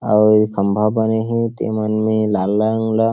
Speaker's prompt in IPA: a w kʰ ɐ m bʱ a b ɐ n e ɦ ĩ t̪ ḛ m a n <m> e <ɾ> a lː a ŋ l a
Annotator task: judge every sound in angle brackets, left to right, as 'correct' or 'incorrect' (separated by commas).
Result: correct, incorrect